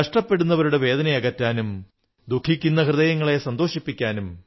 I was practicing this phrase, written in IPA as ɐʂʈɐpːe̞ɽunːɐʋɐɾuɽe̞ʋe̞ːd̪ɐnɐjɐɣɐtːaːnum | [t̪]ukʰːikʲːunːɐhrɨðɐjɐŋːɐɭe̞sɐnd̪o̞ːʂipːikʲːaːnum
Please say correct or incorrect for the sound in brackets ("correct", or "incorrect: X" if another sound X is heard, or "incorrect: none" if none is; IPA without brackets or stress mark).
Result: incorrect: d̪